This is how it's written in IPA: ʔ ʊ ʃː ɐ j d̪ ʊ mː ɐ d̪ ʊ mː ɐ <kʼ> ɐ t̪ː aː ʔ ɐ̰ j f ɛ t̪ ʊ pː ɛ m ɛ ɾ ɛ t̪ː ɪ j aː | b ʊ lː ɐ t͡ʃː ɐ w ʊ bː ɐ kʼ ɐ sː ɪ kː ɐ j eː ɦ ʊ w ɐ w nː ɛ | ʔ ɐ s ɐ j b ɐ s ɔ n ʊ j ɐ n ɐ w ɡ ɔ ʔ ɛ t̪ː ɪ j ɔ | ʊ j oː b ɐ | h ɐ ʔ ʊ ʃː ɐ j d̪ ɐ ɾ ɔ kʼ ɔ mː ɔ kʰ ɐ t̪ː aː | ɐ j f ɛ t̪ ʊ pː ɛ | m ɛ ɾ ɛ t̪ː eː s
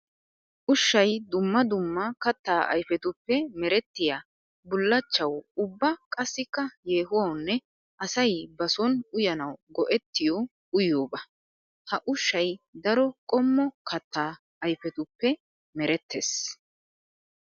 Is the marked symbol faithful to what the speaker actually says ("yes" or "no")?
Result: no